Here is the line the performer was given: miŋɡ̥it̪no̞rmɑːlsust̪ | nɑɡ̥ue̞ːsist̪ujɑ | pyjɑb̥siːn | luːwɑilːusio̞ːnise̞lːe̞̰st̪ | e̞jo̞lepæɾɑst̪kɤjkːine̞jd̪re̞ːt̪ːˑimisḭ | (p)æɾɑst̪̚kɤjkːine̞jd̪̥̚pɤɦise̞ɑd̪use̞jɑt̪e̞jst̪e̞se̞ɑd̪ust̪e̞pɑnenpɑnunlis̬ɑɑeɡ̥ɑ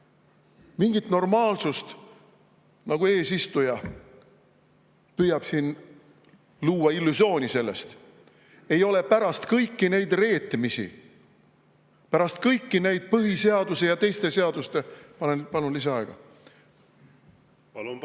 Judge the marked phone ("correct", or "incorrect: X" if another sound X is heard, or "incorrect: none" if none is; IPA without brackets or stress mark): correct